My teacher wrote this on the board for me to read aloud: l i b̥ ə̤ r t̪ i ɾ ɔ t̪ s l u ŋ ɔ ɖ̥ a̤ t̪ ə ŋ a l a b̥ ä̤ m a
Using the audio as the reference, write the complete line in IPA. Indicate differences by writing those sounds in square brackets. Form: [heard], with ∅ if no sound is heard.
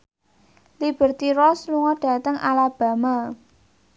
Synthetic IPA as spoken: l i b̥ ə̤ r t̪ i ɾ ɔ [∅] s l u ŋ ɔ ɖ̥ a̤ t̪ ə ŋ a l a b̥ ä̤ m a